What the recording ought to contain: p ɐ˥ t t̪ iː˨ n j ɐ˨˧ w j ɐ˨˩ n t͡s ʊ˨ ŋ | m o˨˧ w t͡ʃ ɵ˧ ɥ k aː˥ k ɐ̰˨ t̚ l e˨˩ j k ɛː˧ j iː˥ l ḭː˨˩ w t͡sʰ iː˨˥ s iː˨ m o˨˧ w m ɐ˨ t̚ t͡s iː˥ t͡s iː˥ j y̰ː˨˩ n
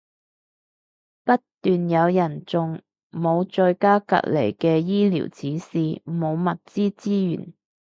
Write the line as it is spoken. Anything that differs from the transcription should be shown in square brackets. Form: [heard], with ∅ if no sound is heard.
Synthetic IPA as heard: p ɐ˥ t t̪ [yː˨] n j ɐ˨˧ w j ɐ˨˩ n t͡s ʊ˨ ŋ | m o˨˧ w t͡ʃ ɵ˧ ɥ k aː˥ k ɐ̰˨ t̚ l e˨˩ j k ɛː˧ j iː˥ l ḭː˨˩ w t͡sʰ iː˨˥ s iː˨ m o˨˧ w m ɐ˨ t̚ t͡s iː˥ t͡s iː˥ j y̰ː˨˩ n